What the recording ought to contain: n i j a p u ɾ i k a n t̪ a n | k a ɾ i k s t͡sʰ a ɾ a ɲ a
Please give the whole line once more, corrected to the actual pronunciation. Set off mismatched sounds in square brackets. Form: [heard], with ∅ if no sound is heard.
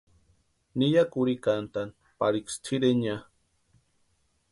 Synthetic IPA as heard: n i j a [k] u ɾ i k a n t̪ a n | [p] a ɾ i k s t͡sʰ [i] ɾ [e] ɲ a